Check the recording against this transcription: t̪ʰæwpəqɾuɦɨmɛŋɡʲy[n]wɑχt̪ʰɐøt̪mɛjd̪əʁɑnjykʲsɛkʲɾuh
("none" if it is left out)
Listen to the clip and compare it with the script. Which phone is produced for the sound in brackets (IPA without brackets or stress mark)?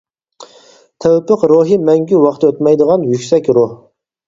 none